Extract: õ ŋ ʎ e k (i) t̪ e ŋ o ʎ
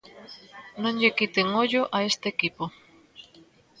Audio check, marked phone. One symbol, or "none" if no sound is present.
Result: i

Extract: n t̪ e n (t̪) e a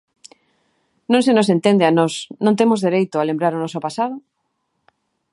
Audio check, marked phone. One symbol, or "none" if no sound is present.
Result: d̪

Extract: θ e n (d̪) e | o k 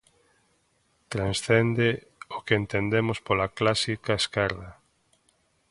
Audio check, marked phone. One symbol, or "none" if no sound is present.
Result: d̪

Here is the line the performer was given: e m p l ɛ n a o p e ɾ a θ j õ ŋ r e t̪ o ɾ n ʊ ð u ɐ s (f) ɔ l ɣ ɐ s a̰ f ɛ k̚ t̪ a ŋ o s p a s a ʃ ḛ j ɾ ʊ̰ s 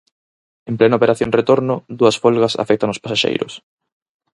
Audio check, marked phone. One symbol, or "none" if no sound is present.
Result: f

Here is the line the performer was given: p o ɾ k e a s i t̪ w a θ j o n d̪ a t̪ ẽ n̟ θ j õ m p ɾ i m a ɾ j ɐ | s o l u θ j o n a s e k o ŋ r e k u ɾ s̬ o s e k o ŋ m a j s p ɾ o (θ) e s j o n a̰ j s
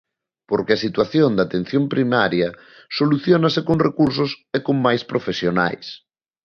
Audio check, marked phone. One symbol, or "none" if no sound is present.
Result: f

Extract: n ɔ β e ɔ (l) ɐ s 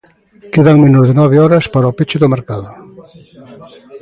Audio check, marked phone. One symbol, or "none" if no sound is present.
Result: ɾ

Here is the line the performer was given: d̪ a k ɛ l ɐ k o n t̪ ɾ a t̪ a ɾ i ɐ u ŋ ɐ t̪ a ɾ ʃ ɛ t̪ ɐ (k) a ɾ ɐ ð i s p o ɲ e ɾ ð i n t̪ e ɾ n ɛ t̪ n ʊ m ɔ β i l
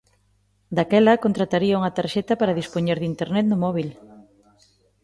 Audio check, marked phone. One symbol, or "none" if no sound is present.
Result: p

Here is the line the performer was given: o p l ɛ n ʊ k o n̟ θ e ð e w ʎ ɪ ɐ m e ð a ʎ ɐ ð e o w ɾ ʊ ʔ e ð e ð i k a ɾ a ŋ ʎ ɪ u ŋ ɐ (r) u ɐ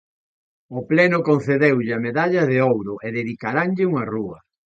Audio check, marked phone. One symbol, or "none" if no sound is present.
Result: r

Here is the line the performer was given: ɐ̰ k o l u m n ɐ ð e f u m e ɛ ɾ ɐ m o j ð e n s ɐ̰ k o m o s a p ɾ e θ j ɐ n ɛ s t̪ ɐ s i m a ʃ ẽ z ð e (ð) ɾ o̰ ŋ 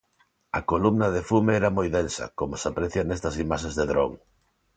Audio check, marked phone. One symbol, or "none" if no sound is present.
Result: ð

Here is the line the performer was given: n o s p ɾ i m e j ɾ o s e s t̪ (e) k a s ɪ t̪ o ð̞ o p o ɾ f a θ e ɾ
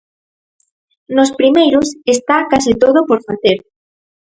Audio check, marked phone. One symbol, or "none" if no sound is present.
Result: a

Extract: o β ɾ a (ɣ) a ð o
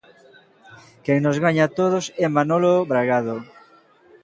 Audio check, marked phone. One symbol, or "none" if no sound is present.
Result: ɣ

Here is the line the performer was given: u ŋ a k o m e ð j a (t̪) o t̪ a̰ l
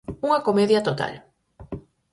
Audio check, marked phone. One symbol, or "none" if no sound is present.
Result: t̪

